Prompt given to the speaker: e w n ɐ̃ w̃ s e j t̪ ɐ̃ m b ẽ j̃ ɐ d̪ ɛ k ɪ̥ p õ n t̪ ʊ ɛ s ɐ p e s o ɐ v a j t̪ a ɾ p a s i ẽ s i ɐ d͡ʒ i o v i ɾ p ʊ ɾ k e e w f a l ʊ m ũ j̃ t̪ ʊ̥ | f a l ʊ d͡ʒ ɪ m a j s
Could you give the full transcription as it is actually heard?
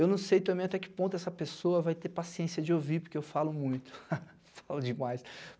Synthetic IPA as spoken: e w n ɐ̃ w̃ s e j t̪ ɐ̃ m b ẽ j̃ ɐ t̪ ɛ k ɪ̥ p õ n t̪ ʊ ɛ s ɐ p e s o ɐ v a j t̪ e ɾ p a s i ẽ s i ɐ d͡ʒ ɪ o v i ɾ p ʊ ɾ k e e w f a l ʊ m ũ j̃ t̪ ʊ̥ | f a l ʊ d͡ʒ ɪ m a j s